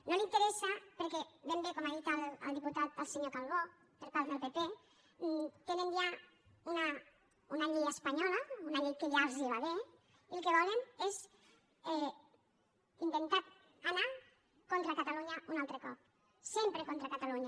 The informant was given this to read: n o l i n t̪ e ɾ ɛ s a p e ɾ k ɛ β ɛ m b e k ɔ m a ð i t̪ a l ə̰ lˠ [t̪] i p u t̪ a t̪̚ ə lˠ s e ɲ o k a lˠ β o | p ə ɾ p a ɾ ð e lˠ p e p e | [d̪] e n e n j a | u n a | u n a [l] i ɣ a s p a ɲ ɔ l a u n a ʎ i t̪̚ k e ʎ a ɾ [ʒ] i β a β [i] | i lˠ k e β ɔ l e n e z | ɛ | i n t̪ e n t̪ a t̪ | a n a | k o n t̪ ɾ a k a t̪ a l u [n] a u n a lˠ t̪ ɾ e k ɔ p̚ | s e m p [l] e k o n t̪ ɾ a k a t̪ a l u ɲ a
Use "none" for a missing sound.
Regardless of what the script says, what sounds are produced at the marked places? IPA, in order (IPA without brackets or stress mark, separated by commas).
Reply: d̪, t̪, ʎ, z, e, ɲ, ɾ